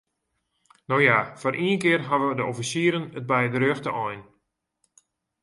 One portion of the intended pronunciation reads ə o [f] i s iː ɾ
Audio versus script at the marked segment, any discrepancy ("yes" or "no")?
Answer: no